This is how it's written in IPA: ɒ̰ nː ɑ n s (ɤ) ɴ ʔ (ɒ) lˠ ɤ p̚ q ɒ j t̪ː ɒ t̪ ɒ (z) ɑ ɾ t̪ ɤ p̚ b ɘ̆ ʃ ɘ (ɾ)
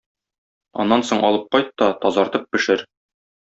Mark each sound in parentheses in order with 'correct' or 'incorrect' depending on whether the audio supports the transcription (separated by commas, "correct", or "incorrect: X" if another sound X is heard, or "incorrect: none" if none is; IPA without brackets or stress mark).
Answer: incorrect: o, correct, correct, correct